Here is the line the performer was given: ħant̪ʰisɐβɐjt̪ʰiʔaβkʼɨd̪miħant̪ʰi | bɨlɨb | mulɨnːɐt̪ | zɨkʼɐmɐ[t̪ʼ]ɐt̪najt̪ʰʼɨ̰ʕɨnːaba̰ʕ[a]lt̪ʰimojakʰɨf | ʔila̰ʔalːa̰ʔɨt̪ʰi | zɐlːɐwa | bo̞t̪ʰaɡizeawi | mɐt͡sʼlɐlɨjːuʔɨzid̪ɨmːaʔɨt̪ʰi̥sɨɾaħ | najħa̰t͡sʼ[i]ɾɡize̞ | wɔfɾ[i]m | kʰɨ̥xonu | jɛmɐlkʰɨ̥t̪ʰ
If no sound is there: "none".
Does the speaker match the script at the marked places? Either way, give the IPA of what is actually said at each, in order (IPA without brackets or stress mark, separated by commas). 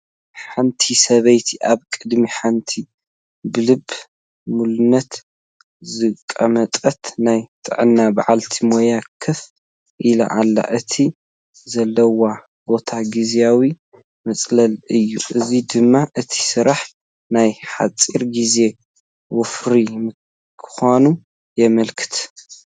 t̪ʼ, a, i, i